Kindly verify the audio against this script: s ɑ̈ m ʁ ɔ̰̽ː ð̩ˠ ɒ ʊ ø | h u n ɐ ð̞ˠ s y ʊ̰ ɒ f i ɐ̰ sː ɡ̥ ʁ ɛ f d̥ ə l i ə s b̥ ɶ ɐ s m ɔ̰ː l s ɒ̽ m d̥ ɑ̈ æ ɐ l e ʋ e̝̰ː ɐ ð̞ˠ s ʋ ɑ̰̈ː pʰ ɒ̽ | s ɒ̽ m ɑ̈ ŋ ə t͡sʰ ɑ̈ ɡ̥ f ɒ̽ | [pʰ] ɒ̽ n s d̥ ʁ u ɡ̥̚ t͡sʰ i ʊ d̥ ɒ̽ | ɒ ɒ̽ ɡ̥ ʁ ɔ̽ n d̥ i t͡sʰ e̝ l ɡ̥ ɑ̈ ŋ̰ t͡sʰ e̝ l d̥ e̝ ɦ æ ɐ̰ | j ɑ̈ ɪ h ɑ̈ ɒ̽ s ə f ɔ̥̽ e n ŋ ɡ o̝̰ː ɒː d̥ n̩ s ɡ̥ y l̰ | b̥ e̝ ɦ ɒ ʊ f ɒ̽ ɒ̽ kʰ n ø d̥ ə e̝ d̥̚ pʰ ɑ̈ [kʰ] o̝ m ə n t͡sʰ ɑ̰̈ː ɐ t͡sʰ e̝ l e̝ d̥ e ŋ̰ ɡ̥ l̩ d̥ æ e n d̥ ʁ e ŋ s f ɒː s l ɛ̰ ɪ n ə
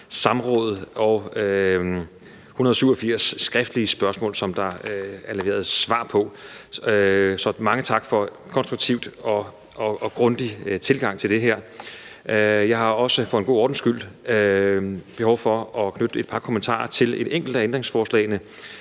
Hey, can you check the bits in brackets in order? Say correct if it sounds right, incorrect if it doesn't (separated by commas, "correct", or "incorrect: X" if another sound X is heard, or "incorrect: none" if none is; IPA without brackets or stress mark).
incorrect: kʰ, correct